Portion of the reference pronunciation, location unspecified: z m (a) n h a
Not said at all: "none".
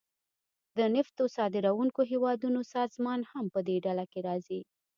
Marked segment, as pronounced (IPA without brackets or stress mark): ɑ